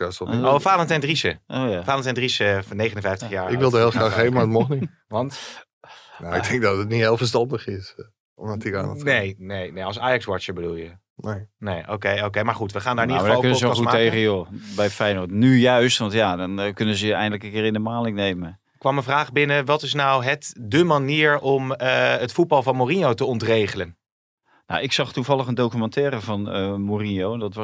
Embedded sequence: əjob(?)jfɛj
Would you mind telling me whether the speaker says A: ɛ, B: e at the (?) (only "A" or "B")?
A